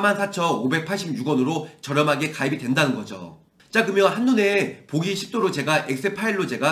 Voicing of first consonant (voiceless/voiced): voiced